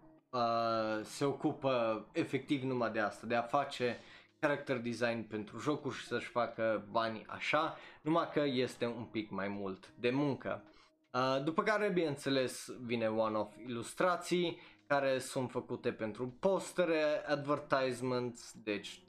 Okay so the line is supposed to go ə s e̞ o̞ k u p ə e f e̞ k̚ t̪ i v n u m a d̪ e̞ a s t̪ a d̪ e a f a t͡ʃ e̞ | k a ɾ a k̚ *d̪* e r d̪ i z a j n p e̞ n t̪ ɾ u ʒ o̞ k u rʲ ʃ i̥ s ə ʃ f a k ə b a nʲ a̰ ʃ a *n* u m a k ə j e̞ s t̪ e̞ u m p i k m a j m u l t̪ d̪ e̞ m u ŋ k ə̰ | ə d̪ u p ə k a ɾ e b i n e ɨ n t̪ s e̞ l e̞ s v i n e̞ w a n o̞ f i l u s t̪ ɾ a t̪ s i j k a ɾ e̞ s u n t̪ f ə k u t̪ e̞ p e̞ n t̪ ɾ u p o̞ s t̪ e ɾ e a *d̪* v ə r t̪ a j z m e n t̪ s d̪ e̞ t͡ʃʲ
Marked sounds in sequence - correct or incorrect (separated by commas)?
incorrect, correct, correct